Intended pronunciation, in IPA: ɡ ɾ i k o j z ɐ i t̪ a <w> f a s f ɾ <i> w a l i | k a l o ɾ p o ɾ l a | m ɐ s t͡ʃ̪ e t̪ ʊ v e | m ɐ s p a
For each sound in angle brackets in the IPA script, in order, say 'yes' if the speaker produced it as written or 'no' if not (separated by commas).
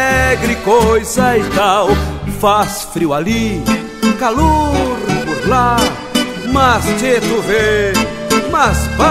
yes, yes